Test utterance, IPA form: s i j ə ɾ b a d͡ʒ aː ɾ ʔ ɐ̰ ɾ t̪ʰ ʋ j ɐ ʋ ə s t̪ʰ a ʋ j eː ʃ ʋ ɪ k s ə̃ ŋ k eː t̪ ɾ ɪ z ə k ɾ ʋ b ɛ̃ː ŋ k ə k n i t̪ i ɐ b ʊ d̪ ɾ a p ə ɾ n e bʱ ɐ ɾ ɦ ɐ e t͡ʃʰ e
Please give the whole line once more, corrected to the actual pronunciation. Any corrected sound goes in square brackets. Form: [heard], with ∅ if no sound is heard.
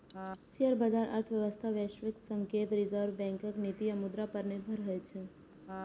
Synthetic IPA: s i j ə ɾ b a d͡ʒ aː ɾ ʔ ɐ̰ ɾ t̪ʰ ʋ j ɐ ʋ ə s t̪ʰ a ʋ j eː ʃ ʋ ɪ k s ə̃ ŋ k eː t̪ ɾ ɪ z ə [∅] ɾ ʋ b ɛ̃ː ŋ k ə k n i t̪ i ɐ [m] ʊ d̪ ɾ a p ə ɾ n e bʱ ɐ ɾ ɦ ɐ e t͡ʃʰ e